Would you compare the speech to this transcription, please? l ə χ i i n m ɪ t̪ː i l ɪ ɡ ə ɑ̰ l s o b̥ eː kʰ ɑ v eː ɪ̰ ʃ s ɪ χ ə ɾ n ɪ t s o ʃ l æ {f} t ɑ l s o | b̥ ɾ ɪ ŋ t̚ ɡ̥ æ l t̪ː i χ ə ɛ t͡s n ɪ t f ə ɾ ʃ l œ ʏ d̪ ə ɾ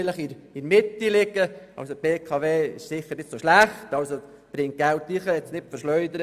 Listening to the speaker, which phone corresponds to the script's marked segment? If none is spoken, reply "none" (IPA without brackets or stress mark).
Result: χ